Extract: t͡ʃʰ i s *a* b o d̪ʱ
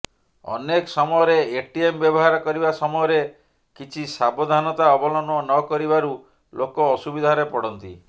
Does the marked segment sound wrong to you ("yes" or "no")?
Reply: no